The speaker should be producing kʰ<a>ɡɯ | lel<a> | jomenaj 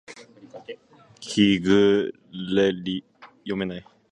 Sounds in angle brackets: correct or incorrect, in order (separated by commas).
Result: incorrect, incorrect